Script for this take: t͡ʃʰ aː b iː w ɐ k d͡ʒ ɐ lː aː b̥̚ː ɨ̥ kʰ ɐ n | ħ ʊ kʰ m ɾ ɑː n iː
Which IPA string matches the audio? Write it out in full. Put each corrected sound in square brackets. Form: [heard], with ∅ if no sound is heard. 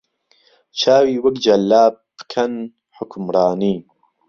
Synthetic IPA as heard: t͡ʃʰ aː [w] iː w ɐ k d͡ʒ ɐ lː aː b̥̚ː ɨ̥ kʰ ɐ n | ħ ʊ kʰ m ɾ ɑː n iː